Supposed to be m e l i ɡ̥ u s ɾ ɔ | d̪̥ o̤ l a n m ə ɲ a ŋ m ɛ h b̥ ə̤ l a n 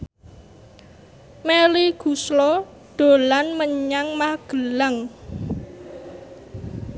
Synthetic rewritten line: m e l i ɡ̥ u s l ɔ | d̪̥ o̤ l a n m ə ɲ a ŋ m a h ɡ̥ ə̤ l a ŋ